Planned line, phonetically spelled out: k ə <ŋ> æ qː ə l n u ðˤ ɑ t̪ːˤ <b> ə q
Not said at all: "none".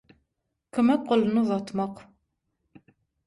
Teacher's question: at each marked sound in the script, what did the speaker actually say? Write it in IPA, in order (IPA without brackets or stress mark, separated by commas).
m, m